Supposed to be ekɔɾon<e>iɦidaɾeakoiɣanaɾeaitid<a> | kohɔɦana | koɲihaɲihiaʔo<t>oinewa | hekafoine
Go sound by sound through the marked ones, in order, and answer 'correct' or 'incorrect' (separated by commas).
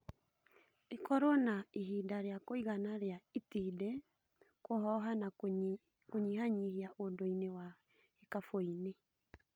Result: incorrect, incorrect, incorrect